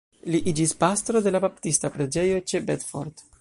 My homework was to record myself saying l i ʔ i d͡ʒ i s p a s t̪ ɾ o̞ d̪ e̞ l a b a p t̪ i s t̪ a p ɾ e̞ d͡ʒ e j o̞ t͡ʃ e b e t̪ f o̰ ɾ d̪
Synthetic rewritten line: l i ʔ i d͡ʒ i s p a s t̪ ɾ o̞ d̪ e̞ l a b a p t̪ i s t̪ a p ɾ e̞ d͡ʒ e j o̞ t͡ʃ e b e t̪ f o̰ ɾ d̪